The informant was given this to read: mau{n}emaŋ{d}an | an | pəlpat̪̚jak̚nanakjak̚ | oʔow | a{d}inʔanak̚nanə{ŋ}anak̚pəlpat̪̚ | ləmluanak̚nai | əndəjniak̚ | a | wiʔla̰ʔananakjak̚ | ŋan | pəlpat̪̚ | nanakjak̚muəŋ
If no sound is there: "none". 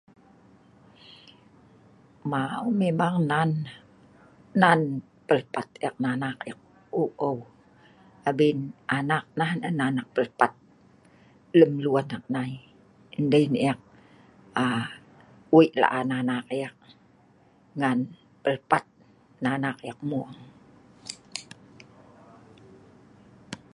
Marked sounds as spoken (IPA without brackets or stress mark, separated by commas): m, n, b, n